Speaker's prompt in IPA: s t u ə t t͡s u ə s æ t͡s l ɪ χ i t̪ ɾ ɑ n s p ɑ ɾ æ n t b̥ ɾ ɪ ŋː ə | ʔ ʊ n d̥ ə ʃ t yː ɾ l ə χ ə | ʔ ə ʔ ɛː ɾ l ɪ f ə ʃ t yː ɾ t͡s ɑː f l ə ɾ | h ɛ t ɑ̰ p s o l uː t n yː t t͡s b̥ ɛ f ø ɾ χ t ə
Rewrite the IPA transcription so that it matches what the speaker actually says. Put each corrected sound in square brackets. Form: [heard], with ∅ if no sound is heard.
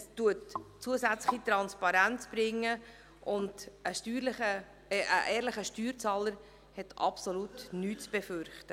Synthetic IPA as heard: s t u ə t t͡s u ə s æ t͡s l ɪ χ i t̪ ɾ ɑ n s p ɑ ɾ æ n [t͡s] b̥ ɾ ɪ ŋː ə | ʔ ʊ n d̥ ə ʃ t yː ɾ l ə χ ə | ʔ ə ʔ ɛː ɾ l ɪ [χ] ə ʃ t yː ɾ t͡s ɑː [∅] l ə ɾ | h ɛ t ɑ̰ p s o l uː t n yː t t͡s b̥ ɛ f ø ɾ χ t ə